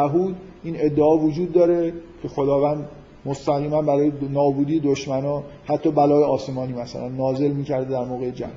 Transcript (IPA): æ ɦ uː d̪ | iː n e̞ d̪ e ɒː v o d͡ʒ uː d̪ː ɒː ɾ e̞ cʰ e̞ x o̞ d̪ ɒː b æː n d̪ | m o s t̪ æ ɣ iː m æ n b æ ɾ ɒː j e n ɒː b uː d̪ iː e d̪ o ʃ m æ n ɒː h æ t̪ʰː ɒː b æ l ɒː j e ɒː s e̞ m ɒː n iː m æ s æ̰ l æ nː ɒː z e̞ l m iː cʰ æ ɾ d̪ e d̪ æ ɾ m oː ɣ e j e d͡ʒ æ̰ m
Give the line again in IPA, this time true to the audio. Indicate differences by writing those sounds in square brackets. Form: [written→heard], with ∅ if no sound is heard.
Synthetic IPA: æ ɦ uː d̪ | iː n e̞ [d̪→d̪ː] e ɒː v o d͡ʒ uː d̪ː ɒː ɾ e̞ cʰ e̞ x o̞ d̪ ɒː [b→v] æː n d̪ | m o s t̪ æ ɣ iː m æ n b æ ɾ ɒː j e n ɒː b uː d̪ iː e d̪ o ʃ m æ n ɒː h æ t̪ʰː ɒː b æ l ɒː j e ɒː s e̞ m ɒː n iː m æ s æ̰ l æ nː ɒː z e̞ l m iː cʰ æ ɾ d̪ e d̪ æ ɾ m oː ɣ e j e d͡ʒ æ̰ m